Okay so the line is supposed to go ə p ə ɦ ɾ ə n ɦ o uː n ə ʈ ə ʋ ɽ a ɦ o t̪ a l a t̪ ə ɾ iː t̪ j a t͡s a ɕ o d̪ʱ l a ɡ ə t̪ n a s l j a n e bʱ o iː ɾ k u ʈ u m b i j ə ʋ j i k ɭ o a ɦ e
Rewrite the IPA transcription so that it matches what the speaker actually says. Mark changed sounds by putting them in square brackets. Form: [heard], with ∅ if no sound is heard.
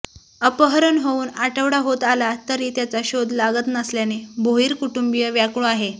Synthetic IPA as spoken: ə p ə ɦ ɾ ə n ɦ o uː n [a] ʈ ə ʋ ɽ a ɦ o t̪ a l a t̪ ə ɾ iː t̪ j a t͡s a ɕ o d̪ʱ l a ɡ ə t̪ n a s l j a n e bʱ o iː ɾ k u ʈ u m b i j ə ʋ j [a] k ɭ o a ɦ e